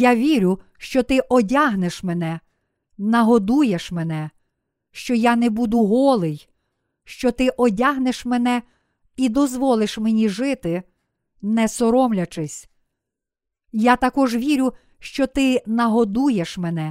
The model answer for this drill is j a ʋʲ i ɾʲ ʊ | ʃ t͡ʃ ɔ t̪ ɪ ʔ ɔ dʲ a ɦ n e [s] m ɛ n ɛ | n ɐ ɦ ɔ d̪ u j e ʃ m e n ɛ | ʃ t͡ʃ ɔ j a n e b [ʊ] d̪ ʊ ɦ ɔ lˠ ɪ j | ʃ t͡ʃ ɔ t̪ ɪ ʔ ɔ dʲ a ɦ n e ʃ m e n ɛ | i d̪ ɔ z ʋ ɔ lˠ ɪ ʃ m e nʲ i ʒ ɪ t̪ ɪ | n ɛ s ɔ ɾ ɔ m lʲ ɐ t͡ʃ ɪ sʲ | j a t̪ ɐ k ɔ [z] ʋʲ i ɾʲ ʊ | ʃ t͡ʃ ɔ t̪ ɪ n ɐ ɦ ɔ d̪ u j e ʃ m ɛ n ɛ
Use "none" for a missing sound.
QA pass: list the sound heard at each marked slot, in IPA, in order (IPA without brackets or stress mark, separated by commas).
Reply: ʃ, u, ʒ